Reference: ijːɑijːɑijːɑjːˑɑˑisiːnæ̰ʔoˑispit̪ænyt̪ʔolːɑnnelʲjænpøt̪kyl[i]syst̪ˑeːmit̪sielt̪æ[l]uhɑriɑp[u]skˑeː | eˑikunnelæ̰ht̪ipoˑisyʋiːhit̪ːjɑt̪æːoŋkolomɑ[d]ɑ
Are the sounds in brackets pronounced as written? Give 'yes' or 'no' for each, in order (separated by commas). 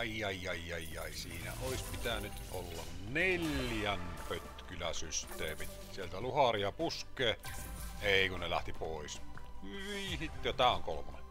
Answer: no, yes, yes, no